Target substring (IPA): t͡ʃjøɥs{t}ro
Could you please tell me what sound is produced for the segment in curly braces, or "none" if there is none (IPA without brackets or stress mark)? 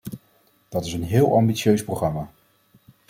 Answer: p